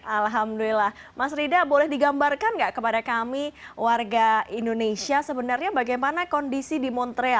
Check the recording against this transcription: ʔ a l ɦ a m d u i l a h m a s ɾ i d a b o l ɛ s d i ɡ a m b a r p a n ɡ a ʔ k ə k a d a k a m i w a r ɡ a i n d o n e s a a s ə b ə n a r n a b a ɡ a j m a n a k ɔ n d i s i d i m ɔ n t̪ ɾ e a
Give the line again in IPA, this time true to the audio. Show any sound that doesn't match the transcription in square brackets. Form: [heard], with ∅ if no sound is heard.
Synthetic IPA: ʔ a l ɦ a m d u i l a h m a s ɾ i d a b o l ɛ [h] d i ɡ a m b a r [k] a n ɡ a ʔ k ə [p] a d a k a m i w a r ɡ a i n d o n e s [i] a s ə b ə n a r [ɲ] a b a ɡ a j m a n a k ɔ n d i s i d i m ɔ n t̪ ɾ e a